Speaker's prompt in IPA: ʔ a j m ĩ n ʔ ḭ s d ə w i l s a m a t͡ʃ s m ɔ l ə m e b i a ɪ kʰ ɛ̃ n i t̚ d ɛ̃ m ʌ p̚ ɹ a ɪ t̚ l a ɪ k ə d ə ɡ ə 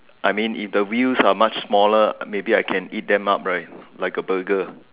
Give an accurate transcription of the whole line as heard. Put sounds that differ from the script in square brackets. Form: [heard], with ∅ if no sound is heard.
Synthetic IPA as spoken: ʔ a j m ĩ n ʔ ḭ [f] d ə w i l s a m a t͡ʃ s m ɔ l ə m e b i a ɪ kʰ ɛ̃ n i t̚ d ɛ̃ m [a] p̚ ɹ a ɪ t̚ l a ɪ k ə [b] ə ɡ ə